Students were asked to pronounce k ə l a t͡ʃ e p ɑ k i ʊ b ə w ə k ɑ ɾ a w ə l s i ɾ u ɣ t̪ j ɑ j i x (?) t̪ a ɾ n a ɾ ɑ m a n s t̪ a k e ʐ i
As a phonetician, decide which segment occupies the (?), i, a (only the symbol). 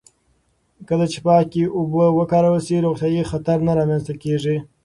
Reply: a